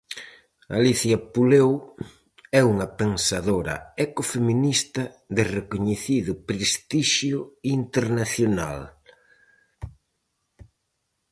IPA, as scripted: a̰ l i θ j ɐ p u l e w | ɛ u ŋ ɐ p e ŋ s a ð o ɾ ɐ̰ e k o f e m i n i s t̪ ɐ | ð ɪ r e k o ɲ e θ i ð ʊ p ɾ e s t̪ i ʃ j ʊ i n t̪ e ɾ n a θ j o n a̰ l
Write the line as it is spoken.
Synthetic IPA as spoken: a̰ l i θ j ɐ p u l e w | ɛ u ŋ ɐ p e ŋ s a ð o ɾ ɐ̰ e k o f e m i n i s t̪ ɐ | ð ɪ r e k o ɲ e θ i ð ʊ p ɾ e s t̪ i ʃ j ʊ i n t̪ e ɾ n a θ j o n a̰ l